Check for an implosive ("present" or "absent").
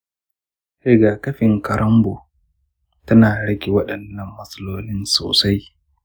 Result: present